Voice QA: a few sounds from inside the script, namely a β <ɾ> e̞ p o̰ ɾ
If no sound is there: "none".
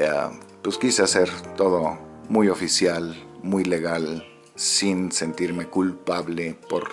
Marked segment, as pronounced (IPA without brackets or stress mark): l